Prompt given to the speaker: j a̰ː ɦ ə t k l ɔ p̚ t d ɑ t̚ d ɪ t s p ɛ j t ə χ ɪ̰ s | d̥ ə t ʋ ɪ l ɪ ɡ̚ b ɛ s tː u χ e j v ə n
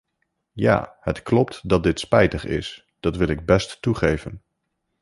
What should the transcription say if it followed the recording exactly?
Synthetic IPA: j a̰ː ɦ ə t k l ɔ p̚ t d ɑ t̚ d ɪ t s p ɛ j t ə χ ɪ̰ s | d̥ ɑ t ʋ ɪ l ɪ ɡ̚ b ɛ s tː u χ e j v ə n